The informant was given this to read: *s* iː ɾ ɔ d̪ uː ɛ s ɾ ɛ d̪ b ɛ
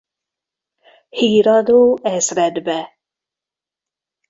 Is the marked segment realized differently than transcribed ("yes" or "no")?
yes